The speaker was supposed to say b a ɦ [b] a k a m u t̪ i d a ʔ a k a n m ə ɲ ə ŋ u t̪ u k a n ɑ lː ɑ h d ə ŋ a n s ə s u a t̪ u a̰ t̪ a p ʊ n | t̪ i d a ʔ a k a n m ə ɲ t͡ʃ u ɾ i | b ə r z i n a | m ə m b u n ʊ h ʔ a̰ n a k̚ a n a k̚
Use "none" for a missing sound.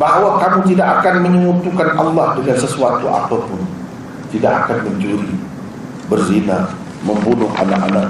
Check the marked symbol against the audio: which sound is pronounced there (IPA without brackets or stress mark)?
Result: w